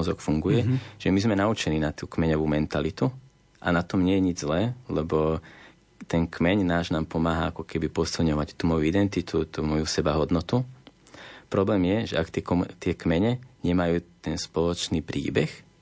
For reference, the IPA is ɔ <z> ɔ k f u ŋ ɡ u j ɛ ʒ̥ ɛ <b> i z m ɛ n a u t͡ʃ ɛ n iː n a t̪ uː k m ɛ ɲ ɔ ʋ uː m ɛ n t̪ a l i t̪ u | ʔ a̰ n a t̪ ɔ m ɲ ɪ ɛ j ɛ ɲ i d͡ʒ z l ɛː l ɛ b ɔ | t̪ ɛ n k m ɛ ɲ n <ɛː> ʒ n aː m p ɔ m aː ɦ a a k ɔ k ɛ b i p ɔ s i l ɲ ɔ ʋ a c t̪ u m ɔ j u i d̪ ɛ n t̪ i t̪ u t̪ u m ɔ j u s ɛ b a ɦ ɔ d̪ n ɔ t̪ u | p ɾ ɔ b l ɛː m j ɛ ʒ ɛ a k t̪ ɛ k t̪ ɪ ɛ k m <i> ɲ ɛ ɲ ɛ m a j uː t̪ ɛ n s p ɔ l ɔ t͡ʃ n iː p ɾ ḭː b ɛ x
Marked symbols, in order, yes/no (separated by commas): yes, no, no, no